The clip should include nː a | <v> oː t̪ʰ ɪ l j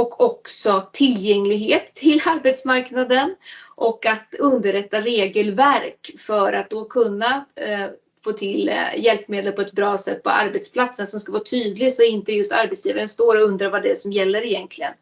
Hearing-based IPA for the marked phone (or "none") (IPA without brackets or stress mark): f